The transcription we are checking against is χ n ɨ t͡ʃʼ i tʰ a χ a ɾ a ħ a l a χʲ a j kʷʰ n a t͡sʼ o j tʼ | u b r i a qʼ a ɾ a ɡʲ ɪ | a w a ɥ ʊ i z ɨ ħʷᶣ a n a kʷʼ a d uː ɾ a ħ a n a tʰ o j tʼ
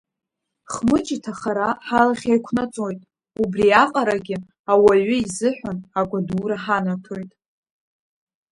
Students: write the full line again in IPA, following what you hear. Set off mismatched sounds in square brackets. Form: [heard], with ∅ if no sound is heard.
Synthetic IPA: χ [m] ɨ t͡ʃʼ i tʰ a χ a ɾ a ħ a l a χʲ a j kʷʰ n a t͡sʼ o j tʼ | u b r i a qʼ a ɾ a ɡʲ ɪ | a w a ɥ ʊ i z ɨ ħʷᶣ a n a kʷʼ a d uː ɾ a ħ a n a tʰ o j tʼ